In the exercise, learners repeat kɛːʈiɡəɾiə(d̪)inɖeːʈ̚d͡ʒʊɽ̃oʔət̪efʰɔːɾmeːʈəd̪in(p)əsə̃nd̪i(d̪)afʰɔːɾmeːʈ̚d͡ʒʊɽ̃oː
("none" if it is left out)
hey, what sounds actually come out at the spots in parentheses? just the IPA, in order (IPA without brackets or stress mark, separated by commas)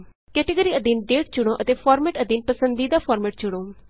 d̪, p, d̪